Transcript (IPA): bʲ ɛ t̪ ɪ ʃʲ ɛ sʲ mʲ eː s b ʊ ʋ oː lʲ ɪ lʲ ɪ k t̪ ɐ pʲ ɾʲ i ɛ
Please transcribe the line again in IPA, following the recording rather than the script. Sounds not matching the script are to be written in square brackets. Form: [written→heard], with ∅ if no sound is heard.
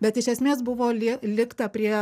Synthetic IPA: bʲ ɛ t̪ ɪ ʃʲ ɛ sʲ mʲ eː s b ʊ ʋ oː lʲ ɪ lʲ ɪ k t̪ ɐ pʲ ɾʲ i ɛ